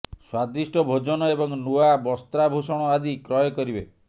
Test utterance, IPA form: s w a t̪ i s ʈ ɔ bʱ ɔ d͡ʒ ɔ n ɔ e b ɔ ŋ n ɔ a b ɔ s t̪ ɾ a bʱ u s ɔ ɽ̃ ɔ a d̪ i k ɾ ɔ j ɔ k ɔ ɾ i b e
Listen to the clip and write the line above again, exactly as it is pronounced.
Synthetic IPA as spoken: s w a d̪ i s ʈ ɔ bʱ o d͡ʒ ɔ n ɔ e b ɔ ŋ n u a b ɔ s t̪ ɾ a bʱ u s ɔ ɽ̃ ɔ a d̪ i k ɾ ɔ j ɔ k ɔ ɾ i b e